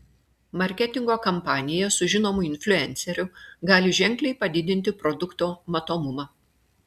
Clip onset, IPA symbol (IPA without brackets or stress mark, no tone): m